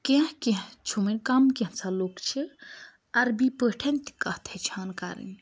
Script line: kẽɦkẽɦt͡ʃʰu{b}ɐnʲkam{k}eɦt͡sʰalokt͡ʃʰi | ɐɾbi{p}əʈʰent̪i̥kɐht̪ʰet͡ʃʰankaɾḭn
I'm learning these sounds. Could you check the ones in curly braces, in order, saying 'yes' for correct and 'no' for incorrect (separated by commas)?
no, yes, yes